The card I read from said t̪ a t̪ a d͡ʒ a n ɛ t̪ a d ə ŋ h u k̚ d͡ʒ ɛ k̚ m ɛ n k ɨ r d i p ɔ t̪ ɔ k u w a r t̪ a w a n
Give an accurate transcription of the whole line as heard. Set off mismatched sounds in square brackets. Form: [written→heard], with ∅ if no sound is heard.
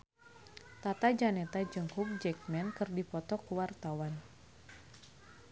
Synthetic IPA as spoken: t̪ a t̪ a d͡ʒ a n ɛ t̪ a [d→d͡ʒ] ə ŋ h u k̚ d͡ʒ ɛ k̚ m ɛ n k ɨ r d i p ɔ t̪ ɔ k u w a r t̪ a w a n

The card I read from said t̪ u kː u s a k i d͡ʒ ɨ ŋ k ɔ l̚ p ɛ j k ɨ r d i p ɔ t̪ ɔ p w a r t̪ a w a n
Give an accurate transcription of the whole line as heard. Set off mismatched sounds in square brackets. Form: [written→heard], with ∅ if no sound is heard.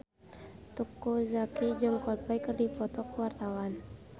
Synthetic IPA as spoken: t̪ u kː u [s→z] a k i d͡ʒ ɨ ŋ k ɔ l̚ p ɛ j k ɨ r d i p ɔ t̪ ɔ [p→k] w a r t̪ a w a n

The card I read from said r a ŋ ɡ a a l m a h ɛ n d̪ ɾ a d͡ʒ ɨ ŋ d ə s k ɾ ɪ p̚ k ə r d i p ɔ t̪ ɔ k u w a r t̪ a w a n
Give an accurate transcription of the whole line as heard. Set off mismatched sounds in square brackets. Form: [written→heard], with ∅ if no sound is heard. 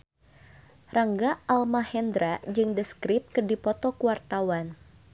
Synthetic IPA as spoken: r a ŋ ɡ a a l m a h ɛ n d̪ ɾ a d͡ʒ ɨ ŋ d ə s k ɾ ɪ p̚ k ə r d i p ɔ t̪ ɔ k u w a r t̪ a w a n

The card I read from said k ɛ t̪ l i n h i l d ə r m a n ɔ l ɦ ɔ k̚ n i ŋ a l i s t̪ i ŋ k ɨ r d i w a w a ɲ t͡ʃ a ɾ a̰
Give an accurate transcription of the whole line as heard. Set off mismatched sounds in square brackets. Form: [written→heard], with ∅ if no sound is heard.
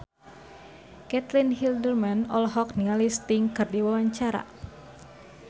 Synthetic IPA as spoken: k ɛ t̪ l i n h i l d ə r m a n ɔ l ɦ ɔ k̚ n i ŋ a l i s t̪ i ŋ k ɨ r d i w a w a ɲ t͡ʃ a ɾ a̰

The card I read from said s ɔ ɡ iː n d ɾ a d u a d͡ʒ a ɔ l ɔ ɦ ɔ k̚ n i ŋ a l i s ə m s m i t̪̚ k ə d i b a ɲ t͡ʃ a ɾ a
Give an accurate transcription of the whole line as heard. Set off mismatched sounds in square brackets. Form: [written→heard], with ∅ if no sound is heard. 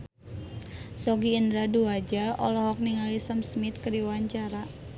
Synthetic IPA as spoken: s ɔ ɡ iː n d ɾ a d u a d͡ʒ a ɔ l ɔ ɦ ɔ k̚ n i ŋ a l i s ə m s m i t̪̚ k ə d i [b→w] a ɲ t͡ʃ a ɾ a

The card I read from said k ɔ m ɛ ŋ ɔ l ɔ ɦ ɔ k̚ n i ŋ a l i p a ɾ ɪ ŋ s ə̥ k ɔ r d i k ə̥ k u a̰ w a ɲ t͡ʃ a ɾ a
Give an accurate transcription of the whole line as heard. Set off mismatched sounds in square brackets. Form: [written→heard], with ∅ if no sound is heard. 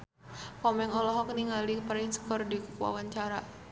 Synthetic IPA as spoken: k ɔ m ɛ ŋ ɔ l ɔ ɦ ɔ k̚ n i ŋ a l i p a ɾ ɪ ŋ s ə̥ k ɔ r d i k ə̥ k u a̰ w a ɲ t͡ʃ a ɾ a

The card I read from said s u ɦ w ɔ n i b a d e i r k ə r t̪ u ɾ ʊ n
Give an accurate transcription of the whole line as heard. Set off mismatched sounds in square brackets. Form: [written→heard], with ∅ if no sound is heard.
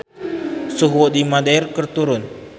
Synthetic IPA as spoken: s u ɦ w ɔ [n→d] i [b→m] a d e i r k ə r t̪ u ɾ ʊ n

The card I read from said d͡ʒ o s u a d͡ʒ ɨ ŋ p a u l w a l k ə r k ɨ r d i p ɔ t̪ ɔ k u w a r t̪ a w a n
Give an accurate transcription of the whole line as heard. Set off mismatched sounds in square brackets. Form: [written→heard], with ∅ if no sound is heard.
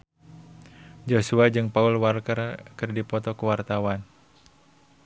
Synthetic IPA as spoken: d͡ʒ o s u a d͡ʒ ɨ ŋ p a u l w a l k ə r k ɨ r d i p ɔ t̪ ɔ k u w a r t̪ a w a n

